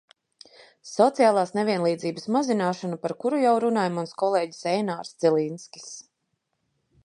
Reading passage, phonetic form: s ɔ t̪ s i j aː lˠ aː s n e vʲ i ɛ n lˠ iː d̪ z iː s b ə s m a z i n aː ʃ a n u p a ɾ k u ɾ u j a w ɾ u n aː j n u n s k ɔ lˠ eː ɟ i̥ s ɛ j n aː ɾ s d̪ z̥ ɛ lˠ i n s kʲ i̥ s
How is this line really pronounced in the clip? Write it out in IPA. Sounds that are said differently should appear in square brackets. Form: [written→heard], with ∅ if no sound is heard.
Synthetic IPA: s ɔ t̪ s i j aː lˠ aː s n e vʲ i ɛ n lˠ iː d̪ z iː [s→∅] b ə s m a z i n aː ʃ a n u p a ɾ k u ɾ u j a w ɾ u n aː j [n→m] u n s k ɔ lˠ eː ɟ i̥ s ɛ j n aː ɾ s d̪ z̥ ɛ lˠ i n s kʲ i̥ s

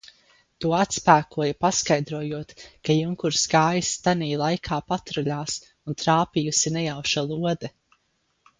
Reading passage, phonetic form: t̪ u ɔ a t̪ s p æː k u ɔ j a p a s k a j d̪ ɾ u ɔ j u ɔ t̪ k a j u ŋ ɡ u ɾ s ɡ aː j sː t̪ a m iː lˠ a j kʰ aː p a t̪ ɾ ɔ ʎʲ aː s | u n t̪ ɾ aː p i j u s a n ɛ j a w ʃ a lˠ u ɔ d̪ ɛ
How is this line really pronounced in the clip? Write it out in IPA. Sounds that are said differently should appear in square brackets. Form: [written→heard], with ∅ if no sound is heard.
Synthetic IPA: t̪ u ɔ a t̪ s p æː k u ɔ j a p a s k a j d̪ ɾ u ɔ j u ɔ t̪ k a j u ŋ [ɡ→k] u ɾ s ɡ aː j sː t̪ a [m→n] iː lˠ a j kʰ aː p a t̪ ɾ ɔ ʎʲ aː s | u n t̪ ɾ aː p i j u s [a→i] n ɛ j a w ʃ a lˠ u ɔ d̪ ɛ

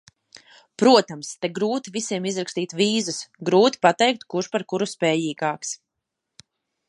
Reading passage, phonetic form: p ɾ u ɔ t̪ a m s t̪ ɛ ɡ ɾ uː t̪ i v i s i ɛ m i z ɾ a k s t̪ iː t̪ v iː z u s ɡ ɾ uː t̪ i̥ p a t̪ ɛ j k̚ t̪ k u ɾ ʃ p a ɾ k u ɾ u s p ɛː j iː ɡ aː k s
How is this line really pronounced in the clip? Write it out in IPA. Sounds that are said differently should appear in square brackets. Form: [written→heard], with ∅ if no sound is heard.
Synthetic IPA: p ɾ u ɔ t̪ a m s t̪ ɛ ɡ ɾ uː t̪ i v i s i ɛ m i z ɾ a k s t̪ iː t̪ v iː z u s ɡ ɾ uː t̪ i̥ p a t̪ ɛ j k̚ t̪ k u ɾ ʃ p a ɾ k u ɾ u s p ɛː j iː ɡ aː k s

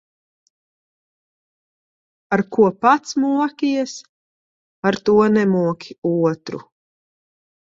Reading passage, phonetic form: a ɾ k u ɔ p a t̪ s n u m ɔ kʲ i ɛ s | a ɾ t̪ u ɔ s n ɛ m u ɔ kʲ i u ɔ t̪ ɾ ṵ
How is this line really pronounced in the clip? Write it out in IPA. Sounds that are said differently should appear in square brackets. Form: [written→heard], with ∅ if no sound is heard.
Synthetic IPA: a ɾ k u ɔ p a t̪ s [n→m] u [m→∅] ɔ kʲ i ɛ s | a ɾ t̪ u ɔ [s→∅] n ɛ m u ɔ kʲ i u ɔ t̪ ɾ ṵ

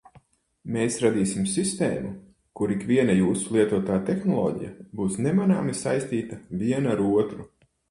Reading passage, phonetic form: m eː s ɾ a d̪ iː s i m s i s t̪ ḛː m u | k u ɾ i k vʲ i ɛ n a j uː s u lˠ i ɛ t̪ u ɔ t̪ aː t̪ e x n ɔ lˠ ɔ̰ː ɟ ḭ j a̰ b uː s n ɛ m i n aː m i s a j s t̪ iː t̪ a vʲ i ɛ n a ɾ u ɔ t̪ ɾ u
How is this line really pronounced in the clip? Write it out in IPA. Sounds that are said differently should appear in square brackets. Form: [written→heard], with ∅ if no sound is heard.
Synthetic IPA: m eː s ɾ a d̪ iː s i m s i s t̪ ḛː m u | k u ɾ i k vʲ i ɛ n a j uː s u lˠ i ɛ t̪ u ɔ t̪ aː t̪ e x n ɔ lˠ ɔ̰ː ɟ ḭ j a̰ b uː s n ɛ m [i→a] n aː m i s a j s t̪ iː t̪ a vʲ i ɛ n a ɾ u ɔ t̪ ɾ u

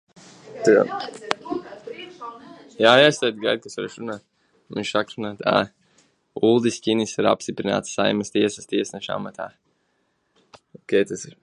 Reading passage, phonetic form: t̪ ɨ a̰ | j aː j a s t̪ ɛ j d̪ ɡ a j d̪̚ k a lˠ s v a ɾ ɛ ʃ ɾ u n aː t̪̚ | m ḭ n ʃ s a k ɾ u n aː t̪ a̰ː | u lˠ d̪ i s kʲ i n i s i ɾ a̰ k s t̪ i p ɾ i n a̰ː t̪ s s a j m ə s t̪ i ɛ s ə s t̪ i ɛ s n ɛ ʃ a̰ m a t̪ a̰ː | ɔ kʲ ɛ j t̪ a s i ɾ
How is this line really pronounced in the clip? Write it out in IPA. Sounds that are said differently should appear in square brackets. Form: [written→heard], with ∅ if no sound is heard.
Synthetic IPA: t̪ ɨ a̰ | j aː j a s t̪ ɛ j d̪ ɡ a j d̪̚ k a [lˠ→∅] s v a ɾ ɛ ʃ ɾ u n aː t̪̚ | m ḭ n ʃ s a k ɾ u n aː t̪ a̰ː | u lˠ d̪ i s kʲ i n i s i ɾ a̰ [k→p] s t̪ i p ɾ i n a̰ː t̪ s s a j m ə s t̪ i ɛ s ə s t̪ i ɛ s n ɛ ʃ a̰ m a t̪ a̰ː | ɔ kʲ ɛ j t̪ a s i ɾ

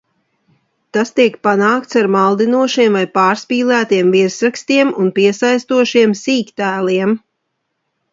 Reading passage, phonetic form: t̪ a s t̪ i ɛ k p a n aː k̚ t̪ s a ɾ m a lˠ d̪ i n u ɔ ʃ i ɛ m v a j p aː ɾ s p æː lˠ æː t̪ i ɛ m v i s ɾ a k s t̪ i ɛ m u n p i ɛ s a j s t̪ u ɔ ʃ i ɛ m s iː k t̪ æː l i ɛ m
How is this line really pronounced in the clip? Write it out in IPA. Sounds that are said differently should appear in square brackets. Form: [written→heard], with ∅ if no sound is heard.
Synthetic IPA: t̪ a s t̪ i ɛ k p a n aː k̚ t̪ s a ɾ m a lˠ d̪ i n u ɔ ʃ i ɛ m v a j p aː ɾ s p [æː→iː] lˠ æː t̪ i ɛ m v i s ɾ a k s t̪ i ɛ m u n p i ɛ s a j s t̪ u ɔ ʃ i ɛ m s iː k t̪ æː l i ɛ m

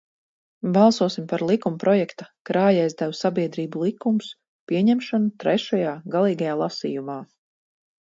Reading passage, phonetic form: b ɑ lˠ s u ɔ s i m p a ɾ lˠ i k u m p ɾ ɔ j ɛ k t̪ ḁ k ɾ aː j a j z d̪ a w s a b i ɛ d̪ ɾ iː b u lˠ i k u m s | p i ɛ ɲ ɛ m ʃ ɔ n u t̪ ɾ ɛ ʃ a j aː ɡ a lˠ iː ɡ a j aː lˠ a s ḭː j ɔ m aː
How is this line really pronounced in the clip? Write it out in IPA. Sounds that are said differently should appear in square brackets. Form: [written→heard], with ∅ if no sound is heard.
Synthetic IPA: b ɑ lˠ s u ɔ s i m p a ɾ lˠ i k u m p ɾ ɔ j ɛ k t̪ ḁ k ɾ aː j a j z d̪ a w s a b i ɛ d̪ ɾ iː b u lˠ i k u m s | p i ɛ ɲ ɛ m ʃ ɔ n u t̪ ɾ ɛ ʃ a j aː ɡ a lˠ iː ɡ a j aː lˠ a s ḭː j [ɔ→u] m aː

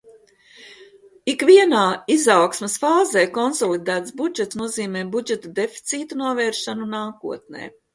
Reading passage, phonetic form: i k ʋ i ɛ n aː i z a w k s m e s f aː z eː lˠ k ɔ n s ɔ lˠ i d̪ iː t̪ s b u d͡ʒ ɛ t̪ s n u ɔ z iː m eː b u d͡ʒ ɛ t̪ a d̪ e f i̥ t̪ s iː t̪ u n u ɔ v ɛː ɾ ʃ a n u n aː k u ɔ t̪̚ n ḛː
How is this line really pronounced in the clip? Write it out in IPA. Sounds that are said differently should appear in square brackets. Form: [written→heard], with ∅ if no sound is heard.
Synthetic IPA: i k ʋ i ɛ n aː i z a w k s m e s f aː z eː [lˠ→∅] k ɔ n s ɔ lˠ i d̪ [iː→æː] t̪ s b u d͡ʒ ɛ t̪ s n u ɔ z iː m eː b u d͡ʒ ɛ t̪ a d̪ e f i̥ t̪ s iː t̪ u n u ɔ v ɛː ɾ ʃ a n u n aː k u ɔ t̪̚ n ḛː

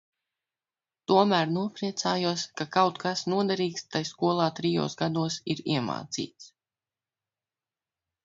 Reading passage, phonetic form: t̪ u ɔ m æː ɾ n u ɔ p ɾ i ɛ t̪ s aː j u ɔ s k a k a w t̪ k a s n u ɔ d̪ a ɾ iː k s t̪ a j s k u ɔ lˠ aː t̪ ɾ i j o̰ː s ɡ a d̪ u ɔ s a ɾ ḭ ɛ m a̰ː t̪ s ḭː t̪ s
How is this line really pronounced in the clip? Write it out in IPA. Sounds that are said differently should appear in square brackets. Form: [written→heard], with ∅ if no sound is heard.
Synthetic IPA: t̪ u ɔ m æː ɾ n u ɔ p ɾ i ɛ t̪ s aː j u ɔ s k a k a w t̪ k a s n u ɔ d̪ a ɾ iː k s t̪ a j s k u ɔ lˠ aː t̪ ɾ i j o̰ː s ɡ a d̪ u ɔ s [a→i] ɾ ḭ ɛ m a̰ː t̪ s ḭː t̪ s

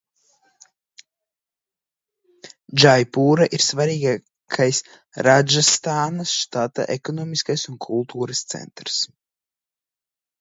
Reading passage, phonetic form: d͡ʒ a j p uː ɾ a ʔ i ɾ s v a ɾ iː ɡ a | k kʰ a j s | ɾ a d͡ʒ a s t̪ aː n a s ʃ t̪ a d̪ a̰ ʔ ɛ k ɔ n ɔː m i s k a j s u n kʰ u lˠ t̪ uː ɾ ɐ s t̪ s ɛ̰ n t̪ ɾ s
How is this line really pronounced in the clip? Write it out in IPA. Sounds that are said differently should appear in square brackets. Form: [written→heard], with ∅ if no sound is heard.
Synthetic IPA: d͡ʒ a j p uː ɾ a ʔ i ɾ s v a ɾ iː ɡ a | k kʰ a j s | ɾ a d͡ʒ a s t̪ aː n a s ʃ t̪ a [d̪→t̪] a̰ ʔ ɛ k ɔ n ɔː m i s k a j s u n kʰ u lˠ t̪ uː ɾ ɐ s t̪ s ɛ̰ n t̪ ɾ s

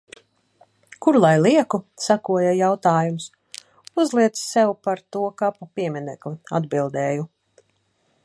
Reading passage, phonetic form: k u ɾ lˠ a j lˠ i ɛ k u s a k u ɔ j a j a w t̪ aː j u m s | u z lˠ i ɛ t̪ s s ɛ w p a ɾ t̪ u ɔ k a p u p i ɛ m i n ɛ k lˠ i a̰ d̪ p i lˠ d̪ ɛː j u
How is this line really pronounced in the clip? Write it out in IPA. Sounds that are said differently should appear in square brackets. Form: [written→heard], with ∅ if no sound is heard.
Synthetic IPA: k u ɾ lˠ a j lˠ i ɛ k u s a k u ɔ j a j a w t̪ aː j u m s | u z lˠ i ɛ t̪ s s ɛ w p a ɾ t̪ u ɔ k a p u p i ɛ m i n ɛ k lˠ i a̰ d̪ [p→b] i lˠ d̪ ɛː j u

